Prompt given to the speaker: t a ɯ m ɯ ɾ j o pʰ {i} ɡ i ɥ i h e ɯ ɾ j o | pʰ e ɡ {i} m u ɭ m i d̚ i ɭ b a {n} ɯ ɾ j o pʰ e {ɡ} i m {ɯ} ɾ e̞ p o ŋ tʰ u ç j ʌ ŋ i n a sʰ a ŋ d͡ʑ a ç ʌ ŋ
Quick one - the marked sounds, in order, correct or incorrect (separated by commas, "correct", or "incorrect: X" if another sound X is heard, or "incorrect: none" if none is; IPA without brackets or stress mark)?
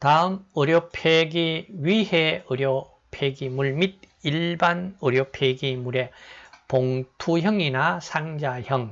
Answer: incorrect: e, correct, correct, correct, incorrect: u